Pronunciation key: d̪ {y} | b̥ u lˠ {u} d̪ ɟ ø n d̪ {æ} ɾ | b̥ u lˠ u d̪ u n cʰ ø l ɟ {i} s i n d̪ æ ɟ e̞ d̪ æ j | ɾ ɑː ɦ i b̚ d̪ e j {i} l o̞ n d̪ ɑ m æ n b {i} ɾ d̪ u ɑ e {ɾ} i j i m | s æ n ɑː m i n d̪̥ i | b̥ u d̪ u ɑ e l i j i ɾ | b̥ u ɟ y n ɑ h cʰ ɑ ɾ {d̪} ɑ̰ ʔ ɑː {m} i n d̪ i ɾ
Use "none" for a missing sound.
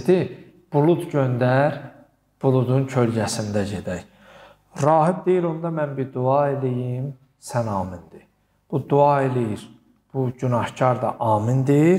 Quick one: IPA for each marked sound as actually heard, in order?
i, u, æ, æ, i, i, l, d̪, m

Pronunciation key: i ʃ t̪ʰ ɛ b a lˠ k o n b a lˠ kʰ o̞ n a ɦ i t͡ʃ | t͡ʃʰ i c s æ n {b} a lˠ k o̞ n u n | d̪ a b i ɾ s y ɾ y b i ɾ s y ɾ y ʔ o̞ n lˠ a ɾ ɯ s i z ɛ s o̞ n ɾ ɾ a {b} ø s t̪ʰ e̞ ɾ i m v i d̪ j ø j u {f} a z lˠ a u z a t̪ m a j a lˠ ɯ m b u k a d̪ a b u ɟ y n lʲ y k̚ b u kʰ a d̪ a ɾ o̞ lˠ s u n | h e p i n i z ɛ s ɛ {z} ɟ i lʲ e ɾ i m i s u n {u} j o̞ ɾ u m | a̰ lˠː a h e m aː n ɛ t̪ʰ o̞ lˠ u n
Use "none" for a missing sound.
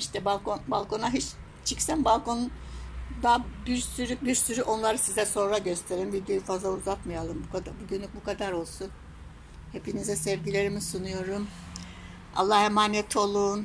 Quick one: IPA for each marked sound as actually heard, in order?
b, ɟ, f, v, u

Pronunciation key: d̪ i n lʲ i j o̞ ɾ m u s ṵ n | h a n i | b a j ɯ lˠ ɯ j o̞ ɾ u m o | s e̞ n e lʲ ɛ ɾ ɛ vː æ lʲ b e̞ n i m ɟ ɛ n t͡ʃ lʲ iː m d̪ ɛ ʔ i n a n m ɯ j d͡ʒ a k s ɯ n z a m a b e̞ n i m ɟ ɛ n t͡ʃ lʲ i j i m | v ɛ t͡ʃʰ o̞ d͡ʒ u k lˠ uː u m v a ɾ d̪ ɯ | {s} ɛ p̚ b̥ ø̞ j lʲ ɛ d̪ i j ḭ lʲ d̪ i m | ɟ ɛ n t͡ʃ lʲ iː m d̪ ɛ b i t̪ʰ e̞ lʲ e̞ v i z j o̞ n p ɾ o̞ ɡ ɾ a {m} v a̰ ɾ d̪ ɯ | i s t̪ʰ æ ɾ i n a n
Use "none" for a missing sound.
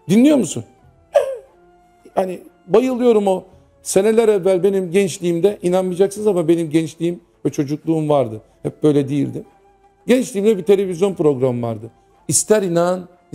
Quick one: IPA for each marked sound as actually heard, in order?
h, m

